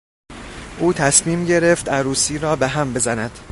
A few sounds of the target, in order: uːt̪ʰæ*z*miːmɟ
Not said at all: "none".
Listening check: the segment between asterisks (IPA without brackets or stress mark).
s